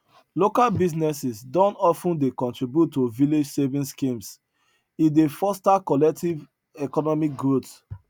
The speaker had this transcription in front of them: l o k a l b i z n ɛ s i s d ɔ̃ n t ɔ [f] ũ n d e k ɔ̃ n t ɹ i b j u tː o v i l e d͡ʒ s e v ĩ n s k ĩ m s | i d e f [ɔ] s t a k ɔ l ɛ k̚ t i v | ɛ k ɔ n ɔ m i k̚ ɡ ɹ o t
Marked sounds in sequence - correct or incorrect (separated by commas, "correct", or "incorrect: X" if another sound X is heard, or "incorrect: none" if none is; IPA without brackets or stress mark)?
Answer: correct, correct